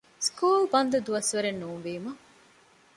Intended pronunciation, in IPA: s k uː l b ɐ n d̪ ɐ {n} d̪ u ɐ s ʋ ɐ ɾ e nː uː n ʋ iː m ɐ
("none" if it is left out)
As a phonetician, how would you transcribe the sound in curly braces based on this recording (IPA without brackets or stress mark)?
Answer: none